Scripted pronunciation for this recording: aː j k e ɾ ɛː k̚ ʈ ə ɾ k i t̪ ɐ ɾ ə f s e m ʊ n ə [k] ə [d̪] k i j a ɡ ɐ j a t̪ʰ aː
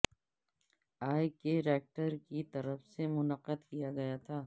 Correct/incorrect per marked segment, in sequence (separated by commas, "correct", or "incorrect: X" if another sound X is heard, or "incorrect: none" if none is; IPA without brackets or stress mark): incorrect: q, correct